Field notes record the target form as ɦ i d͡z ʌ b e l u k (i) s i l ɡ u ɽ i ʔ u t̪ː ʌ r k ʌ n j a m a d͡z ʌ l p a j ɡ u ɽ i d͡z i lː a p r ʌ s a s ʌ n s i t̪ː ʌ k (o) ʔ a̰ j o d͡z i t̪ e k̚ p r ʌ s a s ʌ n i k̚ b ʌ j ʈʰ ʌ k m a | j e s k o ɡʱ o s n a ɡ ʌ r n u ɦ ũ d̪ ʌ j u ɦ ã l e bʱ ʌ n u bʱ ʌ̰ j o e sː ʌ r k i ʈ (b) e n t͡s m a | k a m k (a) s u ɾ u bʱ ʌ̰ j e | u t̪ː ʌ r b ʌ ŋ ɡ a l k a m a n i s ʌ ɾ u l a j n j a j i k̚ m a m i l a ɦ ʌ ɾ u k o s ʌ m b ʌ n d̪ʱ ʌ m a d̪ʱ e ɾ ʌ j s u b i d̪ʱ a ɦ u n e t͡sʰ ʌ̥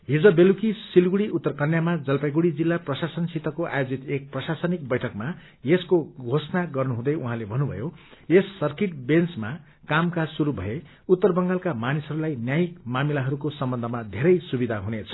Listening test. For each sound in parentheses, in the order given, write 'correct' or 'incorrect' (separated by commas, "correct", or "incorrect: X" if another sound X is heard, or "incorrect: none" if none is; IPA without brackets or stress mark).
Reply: correct, correct, correct, correct